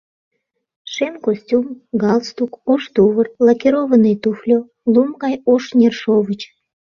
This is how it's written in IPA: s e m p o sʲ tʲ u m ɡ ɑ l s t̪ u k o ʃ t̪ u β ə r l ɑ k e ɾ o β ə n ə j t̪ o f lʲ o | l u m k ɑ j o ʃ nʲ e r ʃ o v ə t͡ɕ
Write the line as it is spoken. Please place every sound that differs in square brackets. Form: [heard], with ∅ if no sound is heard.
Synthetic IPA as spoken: [ʃ] e m [k] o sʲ tʲ u m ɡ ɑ l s t̪ u k o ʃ t̪ u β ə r l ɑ k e ɾ o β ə n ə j t̪ [u] f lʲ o | l u m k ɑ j o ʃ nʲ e r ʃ o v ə t͡ɕ